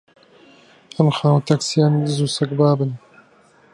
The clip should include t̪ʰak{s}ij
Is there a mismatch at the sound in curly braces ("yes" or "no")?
no